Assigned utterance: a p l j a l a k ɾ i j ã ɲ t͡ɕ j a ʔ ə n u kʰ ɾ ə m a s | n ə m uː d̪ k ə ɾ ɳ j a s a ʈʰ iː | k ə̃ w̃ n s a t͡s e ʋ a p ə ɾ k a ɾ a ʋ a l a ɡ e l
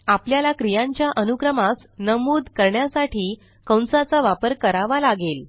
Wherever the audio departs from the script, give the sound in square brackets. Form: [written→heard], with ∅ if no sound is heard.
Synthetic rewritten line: a p l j a l a k ɾ i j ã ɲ t͡ɕ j a ʔ ə n u [kʰ→k] ɾ ə m a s | n ə m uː d̪ k ə ɾ ɳ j a s a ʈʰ iː | k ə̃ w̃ n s a t͡s [e→a] ʋ a p ə ɾ k [a→ə] ɾ a ʋ a l a ɡ e l